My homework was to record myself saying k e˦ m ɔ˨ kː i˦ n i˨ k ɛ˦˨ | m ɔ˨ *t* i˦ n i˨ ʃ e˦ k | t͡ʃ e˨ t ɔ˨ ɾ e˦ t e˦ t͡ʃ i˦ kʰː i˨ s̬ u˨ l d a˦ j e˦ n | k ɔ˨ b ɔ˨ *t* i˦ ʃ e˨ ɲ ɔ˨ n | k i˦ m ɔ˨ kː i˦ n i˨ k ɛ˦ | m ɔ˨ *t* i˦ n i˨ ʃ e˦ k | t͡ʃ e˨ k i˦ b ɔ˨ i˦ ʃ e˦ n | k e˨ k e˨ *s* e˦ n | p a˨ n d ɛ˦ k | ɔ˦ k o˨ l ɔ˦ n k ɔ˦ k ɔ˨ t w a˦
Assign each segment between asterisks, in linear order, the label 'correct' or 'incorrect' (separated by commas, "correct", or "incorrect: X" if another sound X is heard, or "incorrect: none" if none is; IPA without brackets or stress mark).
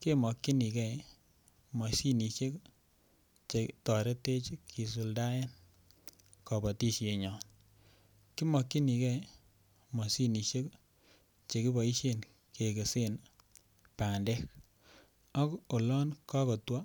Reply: incorrect: s, correct, incorrect: s, correct